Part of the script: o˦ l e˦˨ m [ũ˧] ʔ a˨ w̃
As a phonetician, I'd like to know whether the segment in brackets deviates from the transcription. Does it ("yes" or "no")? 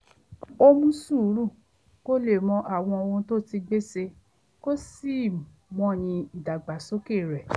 yes